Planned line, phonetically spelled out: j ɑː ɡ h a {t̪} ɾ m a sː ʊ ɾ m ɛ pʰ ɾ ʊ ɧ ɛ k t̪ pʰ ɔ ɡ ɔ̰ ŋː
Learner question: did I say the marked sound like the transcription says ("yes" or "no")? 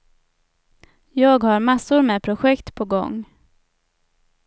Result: no